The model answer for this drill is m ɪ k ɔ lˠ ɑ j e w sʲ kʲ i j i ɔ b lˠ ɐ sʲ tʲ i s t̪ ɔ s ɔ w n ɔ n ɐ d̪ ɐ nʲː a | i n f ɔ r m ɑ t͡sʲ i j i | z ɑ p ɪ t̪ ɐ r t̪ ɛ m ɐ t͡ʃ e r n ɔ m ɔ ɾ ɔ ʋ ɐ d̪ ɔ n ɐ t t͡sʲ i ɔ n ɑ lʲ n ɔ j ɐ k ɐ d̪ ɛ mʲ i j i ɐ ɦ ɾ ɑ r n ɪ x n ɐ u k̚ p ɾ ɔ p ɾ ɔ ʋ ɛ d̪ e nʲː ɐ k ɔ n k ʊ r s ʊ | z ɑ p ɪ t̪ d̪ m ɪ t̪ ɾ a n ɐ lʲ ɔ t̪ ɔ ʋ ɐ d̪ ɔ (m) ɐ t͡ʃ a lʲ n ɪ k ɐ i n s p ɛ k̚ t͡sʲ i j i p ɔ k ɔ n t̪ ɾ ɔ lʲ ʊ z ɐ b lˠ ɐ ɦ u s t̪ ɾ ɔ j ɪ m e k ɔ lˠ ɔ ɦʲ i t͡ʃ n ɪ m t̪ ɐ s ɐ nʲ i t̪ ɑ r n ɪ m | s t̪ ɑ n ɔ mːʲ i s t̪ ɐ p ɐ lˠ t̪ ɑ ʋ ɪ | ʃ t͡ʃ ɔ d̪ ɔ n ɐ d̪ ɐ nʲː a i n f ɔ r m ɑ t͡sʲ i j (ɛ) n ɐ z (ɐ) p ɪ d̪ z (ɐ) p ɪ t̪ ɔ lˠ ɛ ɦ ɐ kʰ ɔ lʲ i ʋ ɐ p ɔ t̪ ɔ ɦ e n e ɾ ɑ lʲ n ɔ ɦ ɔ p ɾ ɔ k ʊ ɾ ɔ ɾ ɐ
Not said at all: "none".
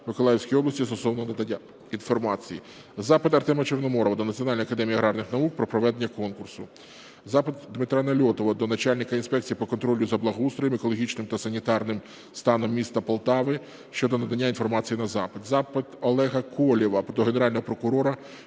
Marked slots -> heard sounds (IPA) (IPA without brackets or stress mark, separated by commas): n, i, ɑ, ɑ